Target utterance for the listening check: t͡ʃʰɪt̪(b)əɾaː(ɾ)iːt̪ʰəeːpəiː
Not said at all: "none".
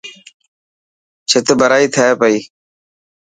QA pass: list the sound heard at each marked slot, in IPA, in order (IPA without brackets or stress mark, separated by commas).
b, none